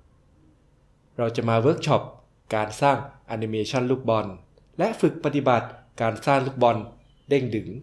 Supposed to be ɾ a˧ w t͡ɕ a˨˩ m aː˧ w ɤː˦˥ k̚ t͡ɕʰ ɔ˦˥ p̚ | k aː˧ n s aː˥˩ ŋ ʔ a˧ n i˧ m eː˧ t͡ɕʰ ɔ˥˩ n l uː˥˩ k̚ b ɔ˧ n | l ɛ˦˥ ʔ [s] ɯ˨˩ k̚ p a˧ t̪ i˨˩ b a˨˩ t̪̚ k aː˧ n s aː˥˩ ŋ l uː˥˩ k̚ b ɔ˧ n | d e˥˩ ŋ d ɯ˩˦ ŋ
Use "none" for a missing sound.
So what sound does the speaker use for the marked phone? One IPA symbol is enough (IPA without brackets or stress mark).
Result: f